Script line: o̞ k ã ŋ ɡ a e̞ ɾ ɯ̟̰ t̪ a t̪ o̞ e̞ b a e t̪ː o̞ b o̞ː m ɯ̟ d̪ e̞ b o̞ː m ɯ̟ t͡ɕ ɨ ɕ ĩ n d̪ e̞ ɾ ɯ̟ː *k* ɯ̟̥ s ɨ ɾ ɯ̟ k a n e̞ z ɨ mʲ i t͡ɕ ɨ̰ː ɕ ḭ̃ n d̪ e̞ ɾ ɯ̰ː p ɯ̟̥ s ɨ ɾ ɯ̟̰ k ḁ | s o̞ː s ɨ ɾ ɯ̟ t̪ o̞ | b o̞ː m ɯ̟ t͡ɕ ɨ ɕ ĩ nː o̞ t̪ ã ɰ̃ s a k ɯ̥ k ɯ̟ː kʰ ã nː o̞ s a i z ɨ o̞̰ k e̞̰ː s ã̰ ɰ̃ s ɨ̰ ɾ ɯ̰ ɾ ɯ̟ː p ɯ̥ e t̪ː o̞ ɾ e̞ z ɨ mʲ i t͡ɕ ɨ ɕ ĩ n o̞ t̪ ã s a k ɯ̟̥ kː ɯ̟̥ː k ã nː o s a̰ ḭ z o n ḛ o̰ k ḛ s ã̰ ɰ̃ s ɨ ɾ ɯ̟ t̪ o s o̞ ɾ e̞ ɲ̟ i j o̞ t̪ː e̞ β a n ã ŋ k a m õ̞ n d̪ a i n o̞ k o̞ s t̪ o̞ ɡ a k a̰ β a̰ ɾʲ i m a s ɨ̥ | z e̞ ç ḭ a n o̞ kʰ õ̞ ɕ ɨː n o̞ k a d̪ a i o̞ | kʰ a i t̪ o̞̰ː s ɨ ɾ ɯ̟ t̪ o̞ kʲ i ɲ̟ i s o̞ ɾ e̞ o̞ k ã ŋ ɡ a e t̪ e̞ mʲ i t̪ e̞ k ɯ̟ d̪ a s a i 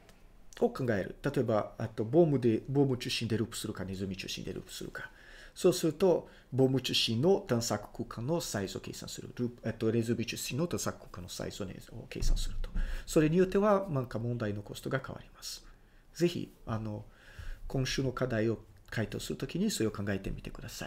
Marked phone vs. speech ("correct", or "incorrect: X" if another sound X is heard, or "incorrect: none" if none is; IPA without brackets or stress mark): incorrect: p